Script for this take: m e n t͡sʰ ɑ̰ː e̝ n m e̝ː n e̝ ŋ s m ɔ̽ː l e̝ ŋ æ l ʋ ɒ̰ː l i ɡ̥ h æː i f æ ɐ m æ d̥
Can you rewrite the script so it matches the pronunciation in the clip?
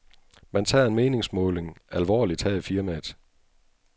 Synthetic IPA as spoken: m æ n t͡sʰ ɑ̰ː e̝ n m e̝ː n e̝ ŋ s m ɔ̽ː l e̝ ŋ æ l ʋ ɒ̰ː l i d̥ h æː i f i ɐ m æ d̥